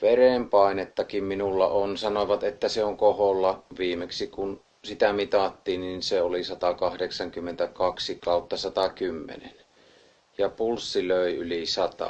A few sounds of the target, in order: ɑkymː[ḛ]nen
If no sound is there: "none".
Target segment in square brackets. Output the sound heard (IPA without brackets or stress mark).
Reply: ḛ